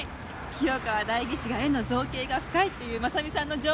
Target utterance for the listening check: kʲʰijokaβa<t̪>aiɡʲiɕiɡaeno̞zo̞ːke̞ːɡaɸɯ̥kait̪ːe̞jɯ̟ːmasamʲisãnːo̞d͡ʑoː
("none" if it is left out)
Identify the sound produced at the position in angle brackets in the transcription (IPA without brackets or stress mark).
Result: d̪